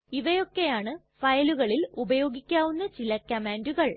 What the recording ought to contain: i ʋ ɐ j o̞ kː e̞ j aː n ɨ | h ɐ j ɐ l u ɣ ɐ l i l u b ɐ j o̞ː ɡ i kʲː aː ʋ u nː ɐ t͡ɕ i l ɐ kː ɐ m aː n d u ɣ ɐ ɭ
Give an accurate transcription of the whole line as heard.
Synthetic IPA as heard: i ʋ ɐ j o̞ kː e̞ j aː ɳ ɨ | f ɐ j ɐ l u ɣ ɐ ɭ i l u b ɐ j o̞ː ɡ i kʲː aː ʋ u nː ɐ t͡ɕ i l ɐ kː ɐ m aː n d u ɣ ɐ ɭ